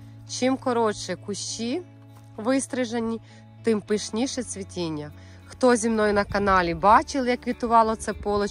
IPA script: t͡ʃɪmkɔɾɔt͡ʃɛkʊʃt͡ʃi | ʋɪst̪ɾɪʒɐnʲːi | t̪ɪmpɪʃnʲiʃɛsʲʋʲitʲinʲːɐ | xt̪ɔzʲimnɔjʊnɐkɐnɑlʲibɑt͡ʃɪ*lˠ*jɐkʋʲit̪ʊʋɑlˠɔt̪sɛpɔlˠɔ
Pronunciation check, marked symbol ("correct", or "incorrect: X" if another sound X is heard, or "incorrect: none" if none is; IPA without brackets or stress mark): correct